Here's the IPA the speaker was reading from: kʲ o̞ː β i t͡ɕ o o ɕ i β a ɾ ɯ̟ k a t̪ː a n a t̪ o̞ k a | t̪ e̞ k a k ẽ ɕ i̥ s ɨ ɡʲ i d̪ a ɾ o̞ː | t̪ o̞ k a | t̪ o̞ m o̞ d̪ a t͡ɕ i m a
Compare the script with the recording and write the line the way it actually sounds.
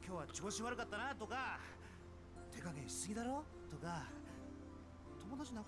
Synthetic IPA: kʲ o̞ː β a t͡ɕ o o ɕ i β a ɾ ɯ̟ k a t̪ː a n a t̪ o̞ k a | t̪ e̞ k a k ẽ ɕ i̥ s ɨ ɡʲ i d̪ a ɾ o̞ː | t̪ o̞ k a | t̪ o̞ m o̞ d̪ a t͡ɕ i n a